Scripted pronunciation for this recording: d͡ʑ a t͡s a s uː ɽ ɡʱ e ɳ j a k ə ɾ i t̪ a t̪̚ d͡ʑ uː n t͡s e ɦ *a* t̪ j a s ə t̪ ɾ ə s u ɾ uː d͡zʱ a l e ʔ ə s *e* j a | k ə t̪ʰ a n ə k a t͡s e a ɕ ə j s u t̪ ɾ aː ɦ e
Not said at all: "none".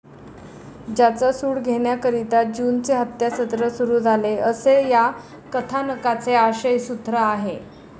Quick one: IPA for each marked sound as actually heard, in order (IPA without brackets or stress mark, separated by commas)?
ə, e